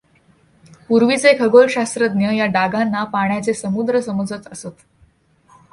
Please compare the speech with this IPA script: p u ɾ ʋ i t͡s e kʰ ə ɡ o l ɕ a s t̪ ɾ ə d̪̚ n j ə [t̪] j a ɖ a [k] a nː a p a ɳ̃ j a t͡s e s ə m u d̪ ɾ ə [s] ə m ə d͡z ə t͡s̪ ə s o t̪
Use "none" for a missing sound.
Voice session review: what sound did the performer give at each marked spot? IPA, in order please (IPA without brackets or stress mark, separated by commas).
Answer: none, ɡ, s